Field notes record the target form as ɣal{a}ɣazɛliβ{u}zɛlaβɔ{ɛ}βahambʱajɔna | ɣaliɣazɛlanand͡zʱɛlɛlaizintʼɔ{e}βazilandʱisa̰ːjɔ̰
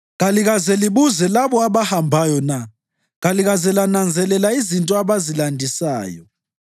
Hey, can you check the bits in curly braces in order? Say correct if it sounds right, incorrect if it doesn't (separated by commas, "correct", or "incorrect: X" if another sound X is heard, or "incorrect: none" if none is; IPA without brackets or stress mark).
incorrect: i, correct, incorrect: a, incorrect: a